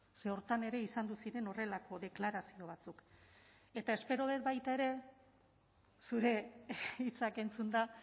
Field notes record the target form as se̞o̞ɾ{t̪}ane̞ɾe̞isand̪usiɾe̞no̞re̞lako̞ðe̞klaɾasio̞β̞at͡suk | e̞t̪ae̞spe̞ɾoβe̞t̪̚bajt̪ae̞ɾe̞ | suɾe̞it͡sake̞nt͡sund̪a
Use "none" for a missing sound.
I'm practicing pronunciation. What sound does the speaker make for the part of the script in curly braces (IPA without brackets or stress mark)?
t̪